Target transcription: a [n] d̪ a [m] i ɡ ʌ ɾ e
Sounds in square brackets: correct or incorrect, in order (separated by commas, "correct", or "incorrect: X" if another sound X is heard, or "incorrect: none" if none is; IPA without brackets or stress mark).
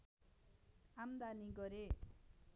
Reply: incorrect: m, incorrect: n